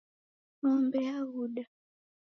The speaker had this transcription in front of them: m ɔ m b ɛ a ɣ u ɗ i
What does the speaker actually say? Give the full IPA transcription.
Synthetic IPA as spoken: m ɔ m b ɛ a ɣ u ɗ a